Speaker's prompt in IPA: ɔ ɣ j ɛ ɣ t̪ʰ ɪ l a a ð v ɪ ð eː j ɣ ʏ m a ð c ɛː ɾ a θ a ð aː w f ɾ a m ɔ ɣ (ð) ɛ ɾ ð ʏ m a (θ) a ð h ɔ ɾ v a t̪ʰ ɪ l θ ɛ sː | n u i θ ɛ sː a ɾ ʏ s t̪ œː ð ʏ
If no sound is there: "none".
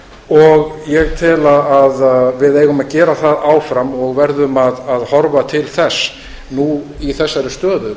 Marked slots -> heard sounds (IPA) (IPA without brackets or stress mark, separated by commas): v, ð